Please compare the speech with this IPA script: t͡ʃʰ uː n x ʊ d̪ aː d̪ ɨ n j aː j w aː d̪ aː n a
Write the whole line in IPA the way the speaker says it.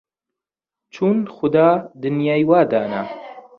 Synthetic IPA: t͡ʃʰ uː n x ʊ d̪ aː d̪ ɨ n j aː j w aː d̪ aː n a

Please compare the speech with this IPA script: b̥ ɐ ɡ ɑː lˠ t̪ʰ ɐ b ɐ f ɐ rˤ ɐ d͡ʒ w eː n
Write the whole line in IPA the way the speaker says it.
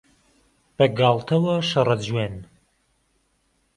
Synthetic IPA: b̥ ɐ ɡ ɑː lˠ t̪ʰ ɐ w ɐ ʃ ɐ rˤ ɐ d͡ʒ w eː n

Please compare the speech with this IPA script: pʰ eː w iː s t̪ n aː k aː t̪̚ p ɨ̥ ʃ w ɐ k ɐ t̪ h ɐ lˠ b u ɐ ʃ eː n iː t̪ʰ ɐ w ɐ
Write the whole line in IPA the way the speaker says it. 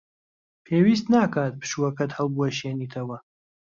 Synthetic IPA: pʰ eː w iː s t̪ n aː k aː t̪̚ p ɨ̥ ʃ u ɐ k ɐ t̪ h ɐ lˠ b u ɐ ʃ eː n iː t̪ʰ ɐ w ɐ

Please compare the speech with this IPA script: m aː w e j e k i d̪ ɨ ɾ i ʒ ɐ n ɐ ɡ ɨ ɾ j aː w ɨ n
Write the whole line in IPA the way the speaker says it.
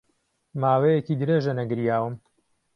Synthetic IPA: m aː w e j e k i d̪ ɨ ɾ e ʒ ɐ n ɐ ɡ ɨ ɾ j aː w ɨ m

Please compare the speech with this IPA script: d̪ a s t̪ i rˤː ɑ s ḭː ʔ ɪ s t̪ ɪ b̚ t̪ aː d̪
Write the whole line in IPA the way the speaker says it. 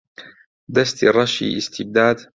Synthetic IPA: d̪ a s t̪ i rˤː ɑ ʃ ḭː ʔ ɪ s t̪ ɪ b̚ d̪ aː d̪

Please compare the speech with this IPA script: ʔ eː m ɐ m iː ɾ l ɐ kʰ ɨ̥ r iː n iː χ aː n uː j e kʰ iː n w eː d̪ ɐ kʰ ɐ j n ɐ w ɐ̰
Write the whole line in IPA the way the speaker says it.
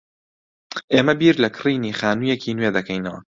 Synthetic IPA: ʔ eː m ɐ b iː ɾ l ɐ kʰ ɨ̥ r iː n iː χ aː n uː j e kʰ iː n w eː d̪ ɐ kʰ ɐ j n ɐ w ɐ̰

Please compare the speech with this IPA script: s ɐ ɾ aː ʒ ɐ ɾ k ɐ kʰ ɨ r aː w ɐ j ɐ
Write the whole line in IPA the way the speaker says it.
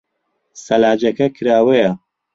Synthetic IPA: s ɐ l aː d͡ʒ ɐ k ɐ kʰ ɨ ɾ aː w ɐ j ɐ

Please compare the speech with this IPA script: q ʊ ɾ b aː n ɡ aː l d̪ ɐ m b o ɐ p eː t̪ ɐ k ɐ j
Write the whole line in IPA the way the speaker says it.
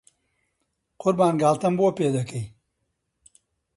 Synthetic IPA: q ʊ ɾ b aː n ɡ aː l t̪ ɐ m b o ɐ p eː d̪ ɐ k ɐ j

